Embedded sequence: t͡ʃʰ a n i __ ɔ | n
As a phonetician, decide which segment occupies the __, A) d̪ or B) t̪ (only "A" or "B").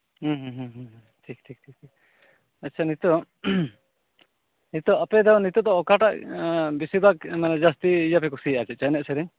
B